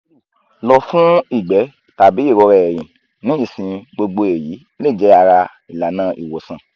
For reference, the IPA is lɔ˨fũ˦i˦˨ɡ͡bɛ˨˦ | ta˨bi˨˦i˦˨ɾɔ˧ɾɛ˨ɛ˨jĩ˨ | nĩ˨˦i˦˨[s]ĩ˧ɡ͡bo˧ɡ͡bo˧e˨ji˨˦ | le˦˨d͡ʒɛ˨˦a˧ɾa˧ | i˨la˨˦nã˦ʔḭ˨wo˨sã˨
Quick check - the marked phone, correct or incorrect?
correct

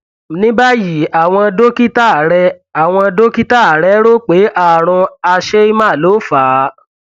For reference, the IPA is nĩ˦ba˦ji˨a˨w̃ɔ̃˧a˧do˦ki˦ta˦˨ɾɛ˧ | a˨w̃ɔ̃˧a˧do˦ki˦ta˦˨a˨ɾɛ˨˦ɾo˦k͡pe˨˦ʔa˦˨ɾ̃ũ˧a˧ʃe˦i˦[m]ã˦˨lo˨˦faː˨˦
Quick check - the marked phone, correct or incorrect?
correct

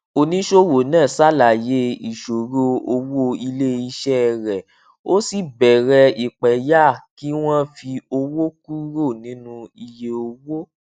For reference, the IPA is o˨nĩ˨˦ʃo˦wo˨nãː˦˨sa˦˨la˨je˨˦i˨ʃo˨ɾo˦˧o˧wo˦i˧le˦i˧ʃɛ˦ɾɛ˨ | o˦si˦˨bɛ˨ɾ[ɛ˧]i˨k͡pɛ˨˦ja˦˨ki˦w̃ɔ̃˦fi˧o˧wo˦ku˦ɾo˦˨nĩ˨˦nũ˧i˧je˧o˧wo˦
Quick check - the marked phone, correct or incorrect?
correct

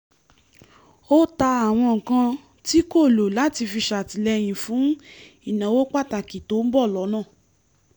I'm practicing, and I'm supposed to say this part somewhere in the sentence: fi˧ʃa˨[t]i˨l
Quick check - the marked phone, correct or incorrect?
correct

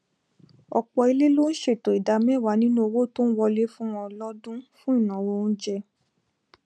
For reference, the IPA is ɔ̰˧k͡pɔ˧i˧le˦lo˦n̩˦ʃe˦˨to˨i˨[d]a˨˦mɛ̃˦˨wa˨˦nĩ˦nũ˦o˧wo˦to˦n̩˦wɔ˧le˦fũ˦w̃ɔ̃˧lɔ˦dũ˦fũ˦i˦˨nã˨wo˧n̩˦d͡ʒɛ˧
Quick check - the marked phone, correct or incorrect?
correct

